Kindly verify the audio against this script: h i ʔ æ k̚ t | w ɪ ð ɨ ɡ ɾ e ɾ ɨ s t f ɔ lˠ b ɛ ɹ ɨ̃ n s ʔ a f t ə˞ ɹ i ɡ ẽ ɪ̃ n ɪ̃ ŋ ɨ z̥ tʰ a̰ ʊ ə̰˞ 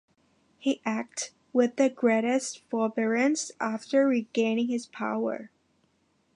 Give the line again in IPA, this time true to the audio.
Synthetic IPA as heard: h i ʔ æ k̚ t | w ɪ ð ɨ ɡ ɹ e ɾ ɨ s t f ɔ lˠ b ɛ ɹ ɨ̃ n s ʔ æ f t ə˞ ɹ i ɡ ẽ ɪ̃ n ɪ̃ ŋ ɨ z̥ pʰ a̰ ʊ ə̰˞